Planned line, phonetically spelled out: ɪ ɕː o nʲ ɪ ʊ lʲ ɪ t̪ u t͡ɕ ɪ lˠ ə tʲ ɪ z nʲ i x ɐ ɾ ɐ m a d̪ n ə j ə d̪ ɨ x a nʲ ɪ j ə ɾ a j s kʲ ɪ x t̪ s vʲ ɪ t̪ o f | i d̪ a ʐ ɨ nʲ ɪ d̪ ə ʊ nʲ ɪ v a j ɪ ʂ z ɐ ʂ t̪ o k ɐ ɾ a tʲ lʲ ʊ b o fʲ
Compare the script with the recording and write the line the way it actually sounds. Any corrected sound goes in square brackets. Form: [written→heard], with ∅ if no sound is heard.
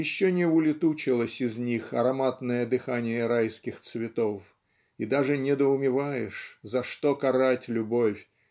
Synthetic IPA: ɪ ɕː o nʲ ɪ ʊ lʲ ɪ t̪ u t͡ɕ ɪ lˠ ə [tʲ→sʲ] ɪ z nʲ i x ɐ ɾ ɐ m a [d̪→t̪] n ə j ə d̪ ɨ x a nʲ ɪ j ə ɾ a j s kʲ ɪ x t̪ s vʲ ɪ t̪ o f | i d̪ a ʐ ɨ nʲ ɪ d̪ ə ʊ [nʲ→mʲ] ɪ v a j ɪ ʂ z ɐ ʂ t̪ o k ɐ ɾ a tʲ lʲ ʊ b o fʲ